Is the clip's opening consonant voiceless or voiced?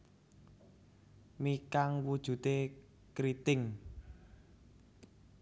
voiced